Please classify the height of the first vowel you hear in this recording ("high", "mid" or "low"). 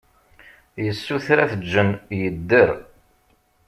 mid